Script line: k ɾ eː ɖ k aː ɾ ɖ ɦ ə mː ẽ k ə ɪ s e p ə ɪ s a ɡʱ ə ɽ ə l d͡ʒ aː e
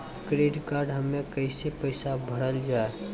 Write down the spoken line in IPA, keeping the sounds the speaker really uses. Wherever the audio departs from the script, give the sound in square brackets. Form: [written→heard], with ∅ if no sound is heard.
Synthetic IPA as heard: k ɾ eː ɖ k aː ɾ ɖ ɦ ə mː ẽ k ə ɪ s e p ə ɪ s a [ɡʱ→bʱ] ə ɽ ə l d͡ʒ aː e